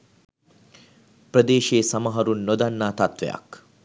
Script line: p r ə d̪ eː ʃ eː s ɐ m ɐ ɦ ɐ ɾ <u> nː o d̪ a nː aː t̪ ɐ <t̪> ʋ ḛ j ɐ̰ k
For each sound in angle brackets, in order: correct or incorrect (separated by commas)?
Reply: correct, correct